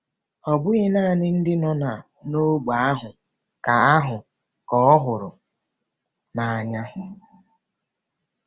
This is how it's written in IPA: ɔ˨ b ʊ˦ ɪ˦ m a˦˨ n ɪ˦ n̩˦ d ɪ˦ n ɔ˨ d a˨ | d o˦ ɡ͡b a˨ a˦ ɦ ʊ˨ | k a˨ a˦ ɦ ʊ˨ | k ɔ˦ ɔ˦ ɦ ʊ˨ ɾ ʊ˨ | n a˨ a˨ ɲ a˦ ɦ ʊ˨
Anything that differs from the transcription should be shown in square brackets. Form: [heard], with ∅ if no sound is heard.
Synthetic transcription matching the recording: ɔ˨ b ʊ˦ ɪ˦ [n] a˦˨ n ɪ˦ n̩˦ d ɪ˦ n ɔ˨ [n] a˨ | [n] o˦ ɡ͡b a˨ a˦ ɦ ʊ˨ | k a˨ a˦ ɦ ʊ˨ | k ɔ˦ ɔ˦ ɦ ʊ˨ ɾ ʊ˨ | n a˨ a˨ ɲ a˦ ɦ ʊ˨